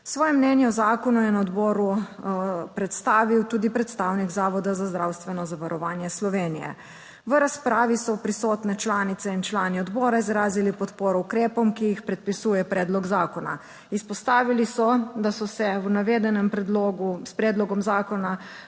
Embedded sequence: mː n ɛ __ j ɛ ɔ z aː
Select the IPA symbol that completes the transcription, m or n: n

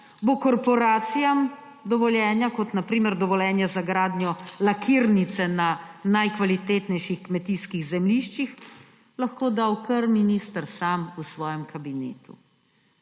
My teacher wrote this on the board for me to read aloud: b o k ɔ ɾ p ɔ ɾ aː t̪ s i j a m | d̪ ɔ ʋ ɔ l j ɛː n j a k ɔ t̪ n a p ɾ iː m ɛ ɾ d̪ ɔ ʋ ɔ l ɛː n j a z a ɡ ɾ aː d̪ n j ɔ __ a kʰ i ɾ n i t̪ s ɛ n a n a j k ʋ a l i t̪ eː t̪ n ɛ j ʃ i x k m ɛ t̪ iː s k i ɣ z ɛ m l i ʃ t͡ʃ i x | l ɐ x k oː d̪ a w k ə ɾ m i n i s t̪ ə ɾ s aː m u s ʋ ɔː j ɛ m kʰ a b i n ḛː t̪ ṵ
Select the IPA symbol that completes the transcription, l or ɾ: l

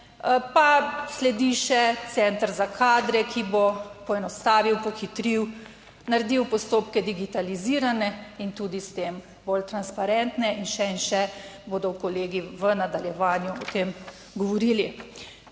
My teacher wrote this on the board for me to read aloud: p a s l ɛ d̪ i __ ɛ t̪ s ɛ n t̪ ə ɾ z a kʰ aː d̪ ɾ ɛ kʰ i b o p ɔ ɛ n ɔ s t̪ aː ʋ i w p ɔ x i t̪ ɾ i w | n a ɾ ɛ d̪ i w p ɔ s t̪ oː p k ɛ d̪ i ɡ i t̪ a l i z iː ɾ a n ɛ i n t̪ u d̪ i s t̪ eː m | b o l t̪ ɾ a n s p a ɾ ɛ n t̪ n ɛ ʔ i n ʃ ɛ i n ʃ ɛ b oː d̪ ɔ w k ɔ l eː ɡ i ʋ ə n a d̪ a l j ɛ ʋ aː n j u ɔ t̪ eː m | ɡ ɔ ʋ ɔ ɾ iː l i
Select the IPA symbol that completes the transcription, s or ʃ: ʃ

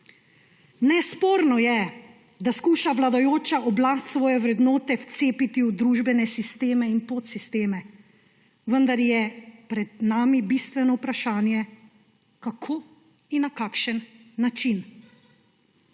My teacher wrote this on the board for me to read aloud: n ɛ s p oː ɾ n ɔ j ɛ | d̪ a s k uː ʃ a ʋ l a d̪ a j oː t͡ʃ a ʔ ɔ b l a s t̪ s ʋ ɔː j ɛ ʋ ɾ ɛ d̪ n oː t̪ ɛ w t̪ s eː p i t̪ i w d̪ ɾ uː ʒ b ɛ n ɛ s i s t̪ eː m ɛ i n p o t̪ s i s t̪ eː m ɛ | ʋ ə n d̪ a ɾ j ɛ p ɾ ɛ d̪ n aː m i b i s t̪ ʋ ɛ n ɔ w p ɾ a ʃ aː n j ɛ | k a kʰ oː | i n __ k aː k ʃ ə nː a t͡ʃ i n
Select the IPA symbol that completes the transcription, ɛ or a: a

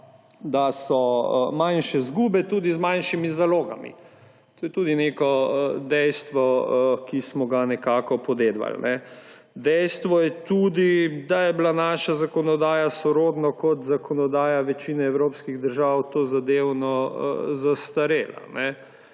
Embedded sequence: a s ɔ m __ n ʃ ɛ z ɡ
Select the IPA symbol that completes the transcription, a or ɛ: a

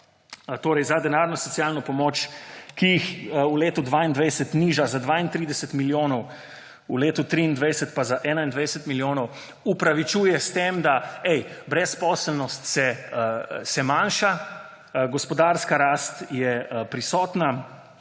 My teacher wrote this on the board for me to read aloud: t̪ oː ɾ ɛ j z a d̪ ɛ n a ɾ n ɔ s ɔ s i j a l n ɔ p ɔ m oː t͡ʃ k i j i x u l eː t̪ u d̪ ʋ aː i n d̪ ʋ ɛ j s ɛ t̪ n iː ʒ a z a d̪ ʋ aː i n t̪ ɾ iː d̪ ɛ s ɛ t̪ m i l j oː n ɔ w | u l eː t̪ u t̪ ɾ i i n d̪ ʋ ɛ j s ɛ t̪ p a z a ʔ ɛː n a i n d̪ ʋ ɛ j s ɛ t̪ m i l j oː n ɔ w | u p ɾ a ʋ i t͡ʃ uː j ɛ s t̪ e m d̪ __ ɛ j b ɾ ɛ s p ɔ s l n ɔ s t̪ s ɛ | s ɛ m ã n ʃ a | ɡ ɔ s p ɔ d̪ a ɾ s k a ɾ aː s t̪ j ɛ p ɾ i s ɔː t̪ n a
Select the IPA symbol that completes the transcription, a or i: a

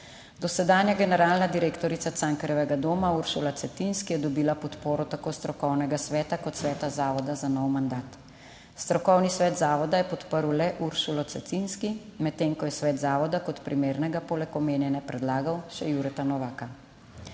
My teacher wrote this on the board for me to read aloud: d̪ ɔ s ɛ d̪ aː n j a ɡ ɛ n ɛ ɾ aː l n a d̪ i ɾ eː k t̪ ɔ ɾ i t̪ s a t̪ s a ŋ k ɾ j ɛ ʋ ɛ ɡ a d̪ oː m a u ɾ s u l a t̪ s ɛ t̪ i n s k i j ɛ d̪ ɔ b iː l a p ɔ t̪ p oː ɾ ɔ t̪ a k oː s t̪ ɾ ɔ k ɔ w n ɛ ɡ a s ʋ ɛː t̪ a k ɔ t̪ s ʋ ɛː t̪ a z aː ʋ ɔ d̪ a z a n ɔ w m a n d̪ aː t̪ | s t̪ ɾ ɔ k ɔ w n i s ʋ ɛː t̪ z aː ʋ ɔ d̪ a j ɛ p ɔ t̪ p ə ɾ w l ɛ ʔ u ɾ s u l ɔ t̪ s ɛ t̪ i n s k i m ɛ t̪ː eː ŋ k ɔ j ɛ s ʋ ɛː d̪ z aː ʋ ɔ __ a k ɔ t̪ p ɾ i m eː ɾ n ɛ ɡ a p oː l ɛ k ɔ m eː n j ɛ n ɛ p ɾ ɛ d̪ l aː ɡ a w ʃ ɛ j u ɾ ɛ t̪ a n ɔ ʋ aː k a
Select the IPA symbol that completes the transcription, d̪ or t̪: d̪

